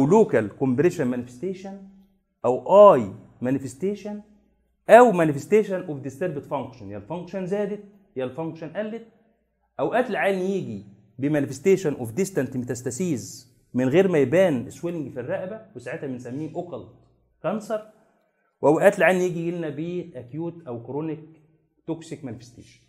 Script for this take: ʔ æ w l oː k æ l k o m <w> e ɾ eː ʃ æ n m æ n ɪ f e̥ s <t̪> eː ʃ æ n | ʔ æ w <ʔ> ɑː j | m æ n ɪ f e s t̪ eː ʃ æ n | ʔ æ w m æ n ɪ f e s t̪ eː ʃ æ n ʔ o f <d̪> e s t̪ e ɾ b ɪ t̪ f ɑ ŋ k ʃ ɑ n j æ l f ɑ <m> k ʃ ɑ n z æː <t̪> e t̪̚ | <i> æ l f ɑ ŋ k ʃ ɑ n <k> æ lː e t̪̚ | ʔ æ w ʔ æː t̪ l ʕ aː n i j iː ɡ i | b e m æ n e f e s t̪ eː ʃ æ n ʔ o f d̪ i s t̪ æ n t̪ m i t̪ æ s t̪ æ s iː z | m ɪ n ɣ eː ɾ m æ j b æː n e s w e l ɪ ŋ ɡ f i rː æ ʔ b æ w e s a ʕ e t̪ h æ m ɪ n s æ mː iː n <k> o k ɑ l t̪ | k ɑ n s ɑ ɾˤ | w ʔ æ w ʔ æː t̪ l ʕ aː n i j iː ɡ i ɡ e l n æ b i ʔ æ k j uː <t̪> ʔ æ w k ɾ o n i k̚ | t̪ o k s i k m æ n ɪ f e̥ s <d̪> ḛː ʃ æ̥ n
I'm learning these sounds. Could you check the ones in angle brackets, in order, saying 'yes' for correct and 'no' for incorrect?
no, yes, yes, yes, no, no, no, no, no, yes, no

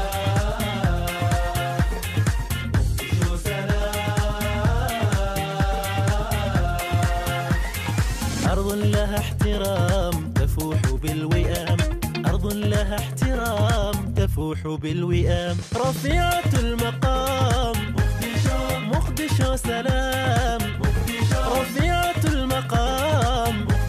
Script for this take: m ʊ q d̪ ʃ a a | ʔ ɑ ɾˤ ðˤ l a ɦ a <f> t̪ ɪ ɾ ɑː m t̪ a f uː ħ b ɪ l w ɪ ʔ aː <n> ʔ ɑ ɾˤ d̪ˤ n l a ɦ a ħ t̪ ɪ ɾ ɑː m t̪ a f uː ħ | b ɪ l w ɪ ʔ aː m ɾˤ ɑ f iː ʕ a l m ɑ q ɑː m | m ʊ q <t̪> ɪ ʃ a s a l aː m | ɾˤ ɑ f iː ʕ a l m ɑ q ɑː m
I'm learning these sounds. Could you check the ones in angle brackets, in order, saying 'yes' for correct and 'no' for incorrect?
no, no, no

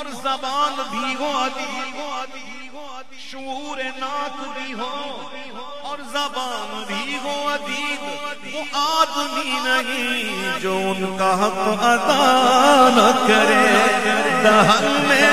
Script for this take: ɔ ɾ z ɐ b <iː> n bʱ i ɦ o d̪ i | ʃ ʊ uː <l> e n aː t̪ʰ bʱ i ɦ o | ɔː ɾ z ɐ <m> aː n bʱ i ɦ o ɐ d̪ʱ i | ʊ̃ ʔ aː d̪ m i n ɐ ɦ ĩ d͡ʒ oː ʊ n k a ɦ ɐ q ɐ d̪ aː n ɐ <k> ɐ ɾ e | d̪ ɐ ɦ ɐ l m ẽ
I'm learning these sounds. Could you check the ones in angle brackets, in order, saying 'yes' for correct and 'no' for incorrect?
no, no, no, yes

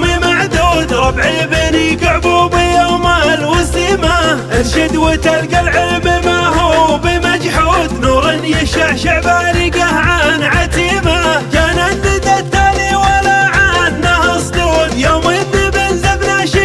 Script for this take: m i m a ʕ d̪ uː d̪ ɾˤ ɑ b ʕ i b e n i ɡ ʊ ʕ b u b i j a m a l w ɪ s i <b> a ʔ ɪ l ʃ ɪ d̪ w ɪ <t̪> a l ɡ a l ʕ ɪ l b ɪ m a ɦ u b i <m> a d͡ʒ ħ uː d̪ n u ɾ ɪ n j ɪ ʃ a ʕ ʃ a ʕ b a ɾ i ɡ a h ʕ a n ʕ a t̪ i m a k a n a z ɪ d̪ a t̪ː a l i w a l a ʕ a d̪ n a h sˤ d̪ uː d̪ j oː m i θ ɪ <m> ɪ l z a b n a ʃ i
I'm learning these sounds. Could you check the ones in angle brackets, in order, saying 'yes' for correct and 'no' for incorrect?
no, yes, yes, no

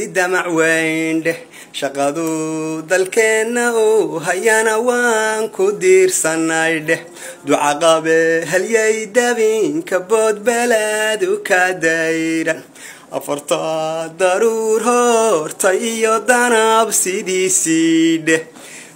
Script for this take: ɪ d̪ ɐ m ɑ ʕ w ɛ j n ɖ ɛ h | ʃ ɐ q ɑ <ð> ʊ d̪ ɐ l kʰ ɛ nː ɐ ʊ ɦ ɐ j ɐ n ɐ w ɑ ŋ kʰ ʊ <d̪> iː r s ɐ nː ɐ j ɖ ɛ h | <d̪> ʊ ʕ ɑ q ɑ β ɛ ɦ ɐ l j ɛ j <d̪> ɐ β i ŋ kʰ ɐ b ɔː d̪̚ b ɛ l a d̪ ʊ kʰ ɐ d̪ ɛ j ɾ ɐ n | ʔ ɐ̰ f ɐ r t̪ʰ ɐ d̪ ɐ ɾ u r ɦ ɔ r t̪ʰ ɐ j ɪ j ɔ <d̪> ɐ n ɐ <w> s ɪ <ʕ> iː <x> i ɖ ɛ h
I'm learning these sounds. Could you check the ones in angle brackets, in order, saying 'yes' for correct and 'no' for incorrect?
yes, yes, yes, yes, yes, no, no, no

